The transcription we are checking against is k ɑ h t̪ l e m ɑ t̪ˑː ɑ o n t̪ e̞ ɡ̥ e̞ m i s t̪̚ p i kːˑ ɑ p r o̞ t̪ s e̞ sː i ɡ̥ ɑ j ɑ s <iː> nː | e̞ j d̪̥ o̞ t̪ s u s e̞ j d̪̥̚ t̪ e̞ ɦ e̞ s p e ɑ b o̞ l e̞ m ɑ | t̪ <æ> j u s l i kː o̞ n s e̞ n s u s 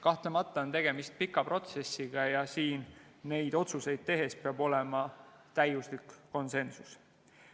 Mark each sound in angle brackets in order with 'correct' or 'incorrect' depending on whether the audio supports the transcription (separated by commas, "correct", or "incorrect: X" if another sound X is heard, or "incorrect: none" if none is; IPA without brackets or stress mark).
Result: correct, correct